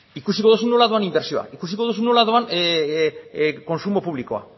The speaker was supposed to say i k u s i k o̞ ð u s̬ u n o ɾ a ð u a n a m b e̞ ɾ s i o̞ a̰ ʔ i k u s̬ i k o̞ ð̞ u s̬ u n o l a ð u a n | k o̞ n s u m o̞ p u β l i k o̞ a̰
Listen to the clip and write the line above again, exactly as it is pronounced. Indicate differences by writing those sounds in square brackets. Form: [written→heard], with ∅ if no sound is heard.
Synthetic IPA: i k u s i k o̞ ð u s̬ u n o [ɾ→l] a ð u a n [a→i] m b e̞ ɾ s i o̞ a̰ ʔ i k u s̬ i k o̞ ð̞ u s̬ u n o l a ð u a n | k o̞ n s u m o̞ p u β l i k o̞ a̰